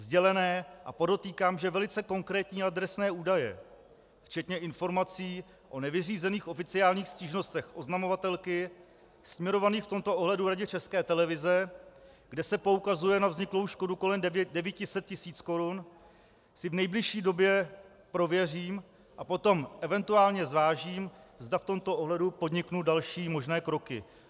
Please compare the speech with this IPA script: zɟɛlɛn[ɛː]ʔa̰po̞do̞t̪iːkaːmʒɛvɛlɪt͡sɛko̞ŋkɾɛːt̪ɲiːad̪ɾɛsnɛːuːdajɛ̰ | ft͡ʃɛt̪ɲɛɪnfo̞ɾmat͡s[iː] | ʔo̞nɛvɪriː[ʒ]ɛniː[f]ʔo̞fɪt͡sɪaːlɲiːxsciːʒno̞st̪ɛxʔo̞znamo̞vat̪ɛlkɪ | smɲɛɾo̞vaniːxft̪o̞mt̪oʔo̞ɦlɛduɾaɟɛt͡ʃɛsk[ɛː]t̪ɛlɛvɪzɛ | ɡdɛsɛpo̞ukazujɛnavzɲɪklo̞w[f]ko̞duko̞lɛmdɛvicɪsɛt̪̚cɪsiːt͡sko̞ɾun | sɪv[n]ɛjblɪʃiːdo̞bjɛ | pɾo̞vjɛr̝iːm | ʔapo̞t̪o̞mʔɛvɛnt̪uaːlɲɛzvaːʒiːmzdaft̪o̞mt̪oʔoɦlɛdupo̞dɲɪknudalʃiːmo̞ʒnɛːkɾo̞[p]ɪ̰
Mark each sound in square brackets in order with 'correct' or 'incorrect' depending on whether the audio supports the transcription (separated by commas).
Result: correct, correct, incorrect, incorrect, correct, incorrect, correct, incorrect